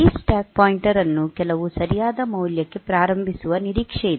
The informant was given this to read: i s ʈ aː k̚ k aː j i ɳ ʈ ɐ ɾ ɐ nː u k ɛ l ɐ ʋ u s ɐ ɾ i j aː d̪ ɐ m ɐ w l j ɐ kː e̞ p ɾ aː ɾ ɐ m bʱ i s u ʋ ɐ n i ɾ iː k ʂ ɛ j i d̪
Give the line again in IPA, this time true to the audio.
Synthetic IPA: i s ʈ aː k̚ p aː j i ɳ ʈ ɐ ɾ ɐ nː u k ɛ l ɐ ʋ u s ɐ ɾ i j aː d̪ ɐ m ɐ w l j ɐ kː e̞ p ɾ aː ɾ ɐ m bʱ i s u ʋ ɐ n i ɾ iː k ʂ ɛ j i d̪